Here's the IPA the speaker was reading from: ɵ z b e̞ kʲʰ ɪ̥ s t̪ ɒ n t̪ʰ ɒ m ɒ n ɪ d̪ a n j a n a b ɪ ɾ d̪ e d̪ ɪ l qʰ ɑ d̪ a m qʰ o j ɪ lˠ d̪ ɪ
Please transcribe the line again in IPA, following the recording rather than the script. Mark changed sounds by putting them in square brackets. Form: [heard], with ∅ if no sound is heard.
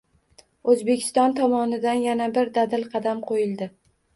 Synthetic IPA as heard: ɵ z b e̞ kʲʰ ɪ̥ s t̪ ɒ n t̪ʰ ɒ m ɒ n ɪ d̪ a n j a n a b ɪ ɾ d̪ [a] d̪ ɪ l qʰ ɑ d̪ a m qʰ o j ɪ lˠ d̪ ɪ